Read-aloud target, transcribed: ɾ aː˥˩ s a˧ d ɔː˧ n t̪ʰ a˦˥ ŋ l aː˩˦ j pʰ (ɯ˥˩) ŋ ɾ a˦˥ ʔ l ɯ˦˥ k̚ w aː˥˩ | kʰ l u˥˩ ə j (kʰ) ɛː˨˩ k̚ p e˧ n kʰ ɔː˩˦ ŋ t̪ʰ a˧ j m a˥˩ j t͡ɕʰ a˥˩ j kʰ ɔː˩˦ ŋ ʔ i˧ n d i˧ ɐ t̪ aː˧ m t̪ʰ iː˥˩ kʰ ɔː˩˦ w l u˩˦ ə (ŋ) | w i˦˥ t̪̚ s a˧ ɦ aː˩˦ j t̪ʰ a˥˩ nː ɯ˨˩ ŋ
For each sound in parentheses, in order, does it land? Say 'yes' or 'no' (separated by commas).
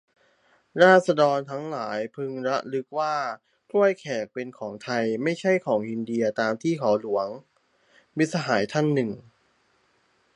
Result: no, yes, yes